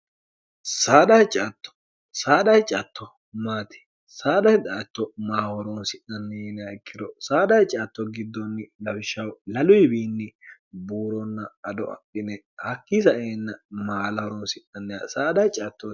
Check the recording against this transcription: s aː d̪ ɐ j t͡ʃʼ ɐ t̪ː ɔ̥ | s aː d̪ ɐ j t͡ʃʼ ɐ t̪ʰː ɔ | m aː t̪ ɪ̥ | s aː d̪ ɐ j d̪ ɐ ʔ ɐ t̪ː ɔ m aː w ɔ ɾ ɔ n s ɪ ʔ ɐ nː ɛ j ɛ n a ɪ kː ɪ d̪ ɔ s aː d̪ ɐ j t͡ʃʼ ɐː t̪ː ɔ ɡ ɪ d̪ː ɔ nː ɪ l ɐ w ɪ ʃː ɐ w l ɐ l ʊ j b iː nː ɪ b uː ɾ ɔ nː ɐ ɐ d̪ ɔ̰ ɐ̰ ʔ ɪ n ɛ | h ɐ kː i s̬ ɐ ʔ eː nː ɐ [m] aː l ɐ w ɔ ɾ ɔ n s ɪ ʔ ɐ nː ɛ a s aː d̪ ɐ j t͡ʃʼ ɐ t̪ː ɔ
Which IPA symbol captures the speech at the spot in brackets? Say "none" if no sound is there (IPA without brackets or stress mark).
m